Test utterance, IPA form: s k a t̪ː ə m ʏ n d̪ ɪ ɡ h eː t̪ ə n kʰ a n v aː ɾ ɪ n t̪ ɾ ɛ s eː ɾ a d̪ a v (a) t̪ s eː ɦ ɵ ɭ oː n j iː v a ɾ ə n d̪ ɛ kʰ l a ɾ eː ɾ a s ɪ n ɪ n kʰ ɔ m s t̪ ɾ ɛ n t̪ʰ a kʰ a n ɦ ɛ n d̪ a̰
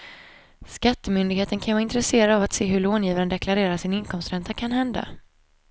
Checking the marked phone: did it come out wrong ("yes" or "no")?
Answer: no